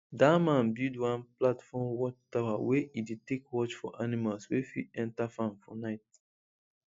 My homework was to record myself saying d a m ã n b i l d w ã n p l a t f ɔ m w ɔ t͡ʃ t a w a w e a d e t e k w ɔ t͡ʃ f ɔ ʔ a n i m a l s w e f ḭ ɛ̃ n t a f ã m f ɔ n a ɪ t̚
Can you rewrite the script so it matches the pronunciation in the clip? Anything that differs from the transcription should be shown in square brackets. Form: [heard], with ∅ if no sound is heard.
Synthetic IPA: d a m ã n b i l d w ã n p l a t f ɔ m w ɔ t͡ʃ t a w a w e [i] d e t e k w ɔ t͡ʃ f ɔ ʔ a n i m a l s w e f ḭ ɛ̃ n t a f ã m f ɔ n a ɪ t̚